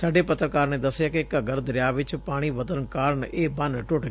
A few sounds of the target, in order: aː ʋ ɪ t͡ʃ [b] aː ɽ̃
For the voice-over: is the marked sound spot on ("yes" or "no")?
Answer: no